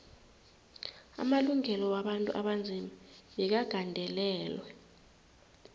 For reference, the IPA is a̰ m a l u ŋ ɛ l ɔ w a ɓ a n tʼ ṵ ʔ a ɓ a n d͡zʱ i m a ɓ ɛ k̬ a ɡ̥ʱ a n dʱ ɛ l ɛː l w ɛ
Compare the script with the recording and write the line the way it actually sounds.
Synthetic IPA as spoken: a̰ m a l u ŋ ɛ l ɔ w a ɓ a n tʼ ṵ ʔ a ɓ a n d͡zʱ i m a ɓ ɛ k̬ a ɡ̥ʱ a n dʱ ɛ l ɛː l w ɛ